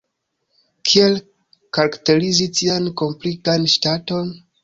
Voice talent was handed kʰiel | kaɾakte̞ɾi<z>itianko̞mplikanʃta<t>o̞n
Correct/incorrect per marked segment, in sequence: correct, correct

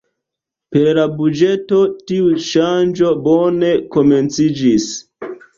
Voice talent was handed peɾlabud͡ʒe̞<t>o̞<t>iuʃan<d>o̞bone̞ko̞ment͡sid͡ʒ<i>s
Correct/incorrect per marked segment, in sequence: correct, correct, incorrect, correct

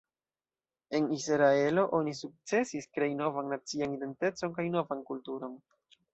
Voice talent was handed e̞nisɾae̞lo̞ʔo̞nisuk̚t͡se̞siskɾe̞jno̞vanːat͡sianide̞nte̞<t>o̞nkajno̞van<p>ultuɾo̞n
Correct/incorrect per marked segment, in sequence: incorrect, incorrect

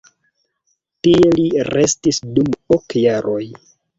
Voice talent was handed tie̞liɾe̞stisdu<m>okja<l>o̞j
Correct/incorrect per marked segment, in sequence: correct, incorrect

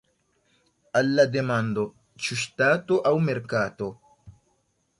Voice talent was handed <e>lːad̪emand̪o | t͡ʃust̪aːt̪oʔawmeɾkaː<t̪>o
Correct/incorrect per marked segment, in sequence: incorrect, correct

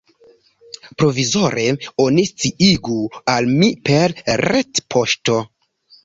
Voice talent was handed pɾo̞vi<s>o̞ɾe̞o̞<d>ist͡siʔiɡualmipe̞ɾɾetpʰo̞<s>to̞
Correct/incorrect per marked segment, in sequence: incorrect, incorrect, incorrect

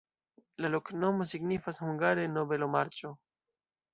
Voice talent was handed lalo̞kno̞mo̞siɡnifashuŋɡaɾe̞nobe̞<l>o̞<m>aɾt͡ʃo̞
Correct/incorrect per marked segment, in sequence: correct, correct

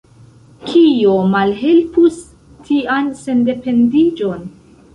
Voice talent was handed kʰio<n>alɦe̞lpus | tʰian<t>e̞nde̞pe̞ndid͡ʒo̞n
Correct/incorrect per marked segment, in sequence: incorrect, incorrect

